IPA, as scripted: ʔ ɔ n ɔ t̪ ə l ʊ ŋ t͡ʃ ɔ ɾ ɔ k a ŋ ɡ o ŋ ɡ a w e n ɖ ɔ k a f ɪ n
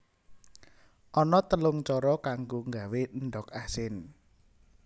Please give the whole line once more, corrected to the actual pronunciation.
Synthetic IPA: ʔ ɔ n ɔ t̪ ə l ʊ ŋ t͡ʃ ɔ ɾ ɔ k a ŋ ɡ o ŋ ɡ a w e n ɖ ɔ k a s ɪ n